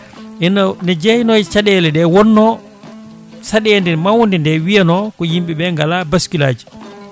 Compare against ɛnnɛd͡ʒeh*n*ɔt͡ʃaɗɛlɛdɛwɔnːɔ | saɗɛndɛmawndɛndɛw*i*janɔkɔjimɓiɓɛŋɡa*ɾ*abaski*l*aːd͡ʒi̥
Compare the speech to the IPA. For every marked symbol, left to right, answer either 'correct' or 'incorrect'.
correct, correct, incorrect: l, correct

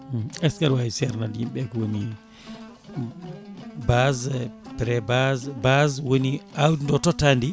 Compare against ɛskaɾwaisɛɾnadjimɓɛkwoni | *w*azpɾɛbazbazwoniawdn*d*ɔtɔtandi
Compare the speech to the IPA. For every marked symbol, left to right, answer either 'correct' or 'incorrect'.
incorrect: b, correct

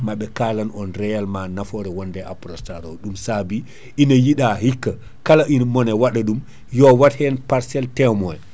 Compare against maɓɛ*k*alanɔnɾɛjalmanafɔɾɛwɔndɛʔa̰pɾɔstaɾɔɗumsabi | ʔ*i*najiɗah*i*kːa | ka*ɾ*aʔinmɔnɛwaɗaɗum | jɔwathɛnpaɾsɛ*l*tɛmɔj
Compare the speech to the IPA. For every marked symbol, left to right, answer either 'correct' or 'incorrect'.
correct, correct, correct, incorrect: l, correct

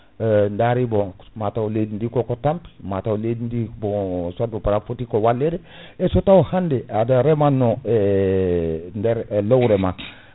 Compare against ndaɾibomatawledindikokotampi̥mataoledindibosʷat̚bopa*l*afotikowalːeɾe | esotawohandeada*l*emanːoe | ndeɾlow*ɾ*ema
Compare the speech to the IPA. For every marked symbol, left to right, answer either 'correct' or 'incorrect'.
incorrect: ɾ, incorrect: ɾ, correct

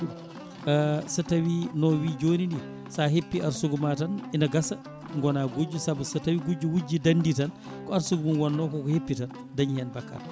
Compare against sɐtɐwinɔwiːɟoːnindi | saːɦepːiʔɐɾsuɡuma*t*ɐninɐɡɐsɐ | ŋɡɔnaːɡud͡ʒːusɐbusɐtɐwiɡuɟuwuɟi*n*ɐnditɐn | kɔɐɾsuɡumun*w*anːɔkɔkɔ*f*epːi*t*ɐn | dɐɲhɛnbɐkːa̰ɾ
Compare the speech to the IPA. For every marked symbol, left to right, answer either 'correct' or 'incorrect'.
correct, incorrect: d, correct, incorrect: h, correct

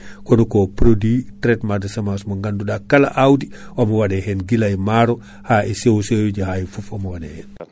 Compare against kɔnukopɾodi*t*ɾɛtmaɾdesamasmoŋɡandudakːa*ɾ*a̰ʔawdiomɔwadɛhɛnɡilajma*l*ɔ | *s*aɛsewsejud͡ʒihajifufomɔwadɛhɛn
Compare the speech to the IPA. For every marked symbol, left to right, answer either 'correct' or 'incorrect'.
correct, incorrect: l, incorrect: ɾ, incorrect: h

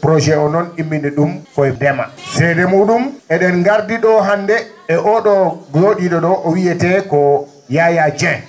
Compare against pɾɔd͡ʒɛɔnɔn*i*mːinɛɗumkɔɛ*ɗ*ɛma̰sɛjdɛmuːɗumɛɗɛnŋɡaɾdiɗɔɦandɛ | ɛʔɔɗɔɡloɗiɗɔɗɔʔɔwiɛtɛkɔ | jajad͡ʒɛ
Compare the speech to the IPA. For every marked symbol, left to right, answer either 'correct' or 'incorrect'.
correct, incorrect: d

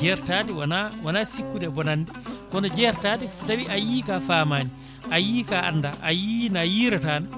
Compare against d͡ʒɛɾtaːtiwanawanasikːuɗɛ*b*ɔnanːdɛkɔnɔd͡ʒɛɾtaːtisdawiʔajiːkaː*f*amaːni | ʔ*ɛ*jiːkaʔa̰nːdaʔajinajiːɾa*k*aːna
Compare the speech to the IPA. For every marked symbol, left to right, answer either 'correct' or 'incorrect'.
correct, correct, incorrect: a, incorrect: t

